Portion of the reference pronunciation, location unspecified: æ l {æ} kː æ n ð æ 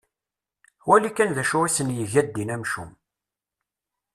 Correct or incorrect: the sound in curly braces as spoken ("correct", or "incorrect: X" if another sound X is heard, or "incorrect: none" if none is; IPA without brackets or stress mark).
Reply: incorrect: i